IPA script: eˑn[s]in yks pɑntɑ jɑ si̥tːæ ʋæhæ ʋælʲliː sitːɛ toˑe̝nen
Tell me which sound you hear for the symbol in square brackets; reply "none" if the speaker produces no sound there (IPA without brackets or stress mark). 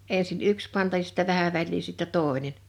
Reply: s